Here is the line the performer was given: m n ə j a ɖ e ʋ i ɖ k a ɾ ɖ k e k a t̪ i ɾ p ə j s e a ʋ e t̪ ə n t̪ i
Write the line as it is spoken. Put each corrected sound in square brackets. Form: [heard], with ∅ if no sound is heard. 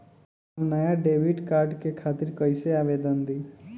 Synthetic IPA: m n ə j a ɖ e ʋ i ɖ k a ɾ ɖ k e [kʰ] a t̪ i ɾ [k] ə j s e a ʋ e [d̪] ə n [d̪] i